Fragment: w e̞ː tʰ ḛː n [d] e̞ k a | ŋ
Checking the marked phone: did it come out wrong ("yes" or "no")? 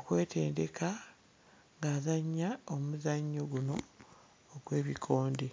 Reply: no